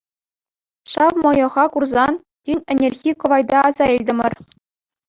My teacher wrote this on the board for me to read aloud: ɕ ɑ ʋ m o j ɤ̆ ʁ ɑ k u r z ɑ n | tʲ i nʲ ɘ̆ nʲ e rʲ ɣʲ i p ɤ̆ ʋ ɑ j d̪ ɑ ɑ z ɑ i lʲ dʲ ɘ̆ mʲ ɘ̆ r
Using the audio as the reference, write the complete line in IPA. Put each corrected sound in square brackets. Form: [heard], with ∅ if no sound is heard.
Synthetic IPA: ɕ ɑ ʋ m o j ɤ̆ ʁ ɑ k u r z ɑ n | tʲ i nʲ ɘ̆ nʲ e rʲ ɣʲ i [k] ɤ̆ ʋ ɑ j d̪ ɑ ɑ z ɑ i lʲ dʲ ɘ̆ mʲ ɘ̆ r